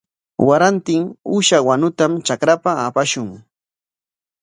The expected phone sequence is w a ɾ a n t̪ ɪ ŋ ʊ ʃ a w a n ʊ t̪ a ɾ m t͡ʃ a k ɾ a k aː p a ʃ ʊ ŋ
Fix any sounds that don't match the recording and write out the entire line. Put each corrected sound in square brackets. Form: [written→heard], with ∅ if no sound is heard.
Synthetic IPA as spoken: w a ɾ a n t̪ ɪ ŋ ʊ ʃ a w a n ʊ t̪ a [ɾ→∅] m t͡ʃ a k ɾ a [k→p] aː p a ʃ ʊ ŋ